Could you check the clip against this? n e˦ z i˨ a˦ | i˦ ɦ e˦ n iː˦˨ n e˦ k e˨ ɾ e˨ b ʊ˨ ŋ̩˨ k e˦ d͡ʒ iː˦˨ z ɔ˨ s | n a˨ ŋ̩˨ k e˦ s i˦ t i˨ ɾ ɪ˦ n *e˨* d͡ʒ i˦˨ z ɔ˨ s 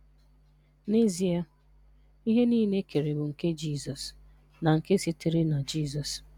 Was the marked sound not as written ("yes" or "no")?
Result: yes